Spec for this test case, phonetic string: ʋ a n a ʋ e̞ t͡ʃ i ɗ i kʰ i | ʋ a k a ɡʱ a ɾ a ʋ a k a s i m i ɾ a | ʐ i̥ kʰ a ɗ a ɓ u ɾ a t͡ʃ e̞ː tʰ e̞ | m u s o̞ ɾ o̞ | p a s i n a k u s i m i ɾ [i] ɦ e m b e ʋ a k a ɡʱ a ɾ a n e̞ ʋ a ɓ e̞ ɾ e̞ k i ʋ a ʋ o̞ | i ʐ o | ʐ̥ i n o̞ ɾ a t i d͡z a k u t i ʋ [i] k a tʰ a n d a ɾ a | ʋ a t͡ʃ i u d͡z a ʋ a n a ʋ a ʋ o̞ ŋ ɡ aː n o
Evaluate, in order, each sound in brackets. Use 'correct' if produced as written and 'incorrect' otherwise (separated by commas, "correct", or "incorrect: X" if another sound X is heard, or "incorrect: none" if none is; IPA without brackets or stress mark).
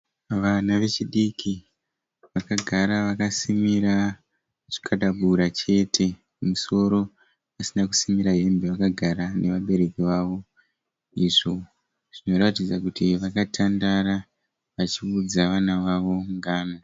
incorrect: a, incorrect: a